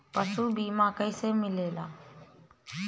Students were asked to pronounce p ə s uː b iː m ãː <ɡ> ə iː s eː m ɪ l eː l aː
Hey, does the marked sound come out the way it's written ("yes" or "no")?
no